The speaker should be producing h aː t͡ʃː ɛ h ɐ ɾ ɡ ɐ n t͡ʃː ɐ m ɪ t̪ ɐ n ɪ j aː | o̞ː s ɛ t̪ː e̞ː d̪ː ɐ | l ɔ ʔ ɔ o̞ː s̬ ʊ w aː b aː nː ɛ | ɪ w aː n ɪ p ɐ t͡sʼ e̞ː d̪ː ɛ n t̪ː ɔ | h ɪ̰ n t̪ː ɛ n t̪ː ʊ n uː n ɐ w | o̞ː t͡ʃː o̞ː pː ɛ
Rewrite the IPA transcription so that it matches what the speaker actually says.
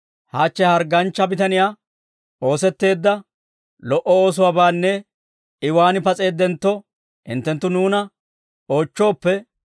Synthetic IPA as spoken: h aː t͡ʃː ɛ h ɐ ɾ ɡ ɐ n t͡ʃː ɐ b ɪ t̪ ɐ n ɪ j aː | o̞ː s ɛ t̪ː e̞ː d̪ː ɐ | l ɔ ʔ ɔ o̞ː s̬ ʊ w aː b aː nː ɛ | ɪ w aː n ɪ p ɐ t͡sʼ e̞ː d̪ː ɛ n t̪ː ɔ | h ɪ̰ n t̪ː ɛ n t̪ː ʊ n uː n ɐ | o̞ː t͡ʃː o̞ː pː ɛ

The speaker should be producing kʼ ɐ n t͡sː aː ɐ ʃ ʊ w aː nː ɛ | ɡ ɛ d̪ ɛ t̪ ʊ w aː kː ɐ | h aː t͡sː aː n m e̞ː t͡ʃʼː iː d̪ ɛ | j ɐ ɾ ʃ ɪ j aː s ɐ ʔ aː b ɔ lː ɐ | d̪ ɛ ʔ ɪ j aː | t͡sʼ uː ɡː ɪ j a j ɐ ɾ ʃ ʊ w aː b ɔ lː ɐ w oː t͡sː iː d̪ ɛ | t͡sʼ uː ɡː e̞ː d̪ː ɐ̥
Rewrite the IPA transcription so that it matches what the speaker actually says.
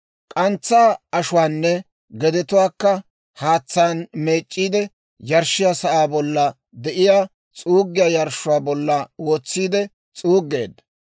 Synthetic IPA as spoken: kʼ ɐ n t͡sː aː ɐ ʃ ʊ w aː nː ɛ | ɡ ɛ d̪ ɛ t̪ ʊ w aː kː ɐ | h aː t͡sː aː n m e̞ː t͡ʃʼː iː d̪ ɛ | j ɐ ɾ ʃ ɪ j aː s ɐ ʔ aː b ɔ lː ɐ | d̪ ɛ ʔ ɪ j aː | t͡sʼ uː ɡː ɪ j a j ɐ ɾ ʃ ʊ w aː b ɔ lː ɐ w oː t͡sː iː d̪ ɛ | t͡sʼ uː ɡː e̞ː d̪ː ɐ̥

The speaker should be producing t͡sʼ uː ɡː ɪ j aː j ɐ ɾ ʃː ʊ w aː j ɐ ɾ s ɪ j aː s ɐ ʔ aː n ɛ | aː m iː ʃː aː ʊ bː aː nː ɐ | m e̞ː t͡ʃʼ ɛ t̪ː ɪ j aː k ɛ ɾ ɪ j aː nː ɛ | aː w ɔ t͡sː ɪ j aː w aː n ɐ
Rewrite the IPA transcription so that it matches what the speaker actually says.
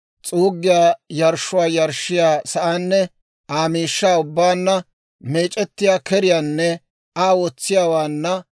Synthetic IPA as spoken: t͡sʼ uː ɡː ɪ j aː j ɐ ɾ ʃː ʊ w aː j ɐ ɾ ʃ ɪ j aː s ɐ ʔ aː nː ɛ | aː m iː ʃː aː ʊ bː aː nː ɐ | m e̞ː t͡ʃʼ ɛ t̪ː ɪ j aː k ɛ ɾ ɪ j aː nː ɛ | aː w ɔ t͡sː ɪ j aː w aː nː ɐ

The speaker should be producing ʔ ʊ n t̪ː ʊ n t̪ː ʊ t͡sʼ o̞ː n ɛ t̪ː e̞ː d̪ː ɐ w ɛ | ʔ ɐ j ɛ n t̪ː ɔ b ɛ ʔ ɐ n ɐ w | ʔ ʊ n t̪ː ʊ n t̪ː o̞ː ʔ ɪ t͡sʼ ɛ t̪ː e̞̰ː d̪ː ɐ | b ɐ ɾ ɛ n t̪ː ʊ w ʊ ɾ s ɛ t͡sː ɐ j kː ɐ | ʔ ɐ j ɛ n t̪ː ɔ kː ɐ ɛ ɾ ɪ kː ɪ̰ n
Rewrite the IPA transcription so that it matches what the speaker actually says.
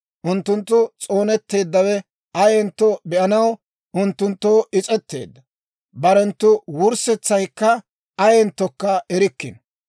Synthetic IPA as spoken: ʔ ʊ n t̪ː ʊ n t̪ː ʊ t͡sʼ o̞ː n ɛ t̪ː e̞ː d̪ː ɐ w ɛ | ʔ ɐ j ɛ n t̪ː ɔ b ɛ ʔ ɐ n ɐ w | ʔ ʊ n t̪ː ʊ n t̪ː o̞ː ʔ ɪ t͡sʼ ɛ t̪ː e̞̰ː d̪ː ɐ | b ɐ ɾ ɛ n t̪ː ʊ w ʊ ɾ s ɛ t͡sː ɐ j kː ɐ | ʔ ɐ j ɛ n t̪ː ɔ kː ɐ ɛ ɾ ɪ kː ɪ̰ n

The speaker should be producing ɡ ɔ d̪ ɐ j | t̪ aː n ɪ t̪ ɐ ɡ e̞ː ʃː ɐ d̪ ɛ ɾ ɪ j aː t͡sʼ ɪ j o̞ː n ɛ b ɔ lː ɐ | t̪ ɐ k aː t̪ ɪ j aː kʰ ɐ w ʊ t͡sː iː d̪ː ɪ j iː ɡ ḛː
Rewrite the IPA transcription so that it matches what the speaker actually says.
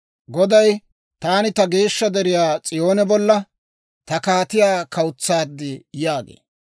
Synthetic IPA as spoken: ɡ ɔ d̪ ɐ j | t̪ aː n ɪ t̪ ɐ ɡ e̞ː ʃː ɐ d̪ ɛ ɾ ɪ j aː t͡sʼ ɪ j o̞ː n ɛ b ɔ lː ɐ | t̪ ɐ k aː t̪ ɪ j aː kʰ ɐ w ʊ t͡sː aː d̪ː ɪ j aː ɡ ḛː

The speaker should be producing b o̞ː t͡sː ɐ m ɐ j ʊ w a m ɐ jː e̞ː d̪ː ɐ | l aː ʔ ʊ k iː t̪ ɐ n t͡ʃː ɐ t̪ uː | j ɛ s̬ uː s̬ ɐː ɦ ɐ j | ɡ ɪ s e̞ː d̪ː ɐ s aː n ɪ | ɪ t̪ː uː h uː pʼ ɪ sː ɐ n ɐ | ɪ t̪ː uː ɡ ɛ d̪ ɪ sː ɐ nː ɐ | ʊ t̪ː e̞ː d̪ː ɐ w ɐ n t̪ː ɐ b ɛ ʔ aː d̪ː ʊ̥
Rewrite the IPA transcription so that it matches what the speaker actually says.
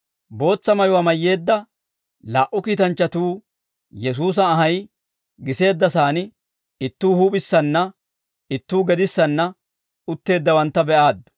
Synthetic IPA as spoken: b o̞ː t͡sː ɐ m ɐ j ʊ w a m ɐ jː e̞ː d̪ː ɐ | l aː ʔ ʊ k iː t̪ ɐ n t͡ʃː ɐ t̪ uː | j ɛ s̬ uː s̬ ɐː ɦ ɐ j | ɡ ɪ s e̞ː d̪ː ɐ s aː n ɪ | ɪ t̪ː uː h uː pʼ ɪ sː ɐ nː ɐ | ɪ t̪ː uː ɡ ɛ d̪ ɪ sː ɐ nː ɐ | ʊ t̪ː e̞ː d̪ː ɐ w ɐ n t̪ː ɐ b ɛ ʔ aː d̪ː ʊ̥

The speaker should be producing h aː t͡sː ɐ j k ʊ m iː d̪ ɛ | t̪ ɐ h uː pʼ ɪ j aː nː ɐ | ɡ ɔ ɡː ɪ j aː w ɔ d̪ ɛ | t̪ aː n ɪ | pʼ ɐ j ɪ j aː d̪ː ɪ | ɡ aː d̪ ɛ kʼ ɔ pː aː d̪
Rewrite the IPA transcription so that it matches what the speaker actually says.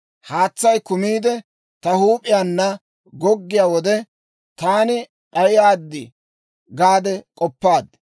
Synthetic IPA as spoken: h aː t͡sː ɐ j k ʊ m iː d̪ ɛ | t̪ ɐ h uː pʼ ɪ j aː nː ɐ | ɡ ɔ ɡː ɪ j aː w ɔ d̪ ɛ | t̪ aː n ɪ | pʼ ɐ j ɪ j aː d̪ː ɪ | ɡ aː d̪ ɛ kʼ ɔ pː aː d̪

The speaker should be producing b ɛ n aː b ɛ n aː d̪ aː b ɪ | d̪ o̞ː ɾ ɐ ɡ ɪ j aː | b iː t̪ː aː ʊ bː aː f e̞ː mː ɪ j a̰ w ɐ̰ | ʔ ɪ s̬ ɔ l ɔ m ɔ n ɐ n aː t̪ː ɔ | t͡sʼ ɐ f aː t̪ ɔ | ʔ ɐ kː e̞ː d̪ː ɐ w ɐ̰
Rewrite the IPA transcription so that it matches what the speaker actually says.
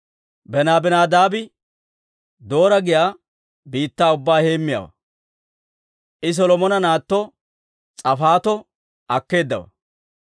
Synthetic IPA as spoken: b ɛ n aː b ɛ n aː d̪ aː b ɪ | d̪ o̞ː ɾ ɐ ɡ ɪ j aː | b iː t̪ː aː ʊ bː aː h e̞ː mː ɪ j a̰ w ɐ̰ | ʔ ɪ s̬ ɔ l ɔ m ɔ n ɐ n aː t̪ː ɔ | t͡sʼ ɐ f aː t̪ ɔ | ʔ ɐ kː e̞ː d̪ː ɐ w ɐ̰

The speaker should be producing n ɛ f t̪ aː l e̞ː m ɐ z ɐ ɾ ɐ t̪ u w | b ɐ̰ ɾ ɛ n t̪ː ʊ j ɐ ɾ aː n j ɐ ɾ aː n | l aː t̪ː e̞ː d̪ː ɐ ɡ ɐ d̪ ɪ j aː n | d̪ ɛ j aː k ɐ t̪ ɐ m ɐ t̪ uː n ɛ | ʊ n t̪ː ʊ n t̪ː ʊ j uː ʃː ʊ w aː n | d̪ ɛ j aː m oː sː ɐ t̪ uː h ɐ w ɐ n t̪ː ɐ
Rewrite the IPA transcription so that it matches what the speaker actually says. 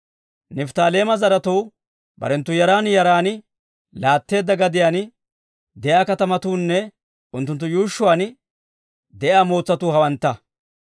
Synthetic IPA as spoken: n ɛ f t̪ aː l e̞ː m ɐ z ɐ ɾ ɐ t̪ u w | b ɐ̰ ɾ ɛ n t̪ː ʊ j ɐ ɾ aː n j ɐ ɾ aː n | l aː t̪ː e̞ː d̪ː ɐ ɡ ɐ d̪ ɪ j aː n | d̪ ɛ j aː k ɐ t̪ ɐ m ɐ t̪ uː nː ɛ | ʊ n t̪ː ʊ n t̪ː ʊ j uː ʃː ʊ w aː n | d̪ ɛ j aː m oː t͡sː ɐ t̪ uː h ɐ w ɐ n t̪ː ɐ

